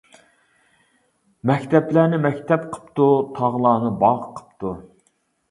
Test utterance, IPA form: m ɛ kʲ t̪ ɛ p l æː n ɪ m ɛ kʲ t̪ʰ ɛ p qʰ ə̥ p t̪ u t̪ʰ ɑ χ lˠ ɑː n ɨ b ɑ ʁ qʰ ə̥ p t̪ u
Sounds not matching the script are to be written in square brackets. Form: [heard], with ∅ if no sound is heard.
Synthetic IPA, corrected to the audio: m ɛ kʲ t̪ ɛ p l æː n ɪ m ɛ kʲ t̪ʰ ɛ p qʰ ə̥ p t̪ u t̪ʰ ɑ [ʁ] lˠ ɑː n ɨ b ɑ ʁ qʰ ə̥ p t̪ u